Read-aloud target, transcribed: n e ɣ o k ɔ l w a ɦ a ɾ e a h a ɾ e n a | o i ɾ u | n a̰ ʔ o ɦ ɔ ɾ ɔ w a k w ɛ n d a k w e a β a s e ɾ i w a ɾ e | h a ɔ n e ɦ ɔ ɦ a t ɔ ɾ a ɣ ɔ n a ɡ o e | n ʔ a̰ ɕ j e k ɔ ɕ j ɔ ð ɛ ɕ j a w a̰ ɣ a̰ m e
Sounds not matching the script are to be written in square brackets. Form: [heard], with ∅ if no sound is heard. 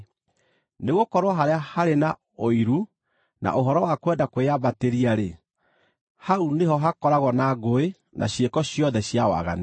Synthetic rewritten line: n e ɣ o k ɔ [ɾ] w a ɦ a ɾ e a h a ɾ e n a | o i ɾ u | n a̰ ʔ o ɦ ɔ ɾ ɔ w a k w ɛ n d a k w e a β a [t] e ɾ i [∅] a ɾ e | h a [u] n e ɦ ɔ ɦ a [k] ɔ ɾ a ɣ ɔ n a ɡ o e | n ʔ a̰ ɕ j e k ɔ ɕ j ɔ ð ɛ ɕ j a w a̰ ɣ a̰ [n] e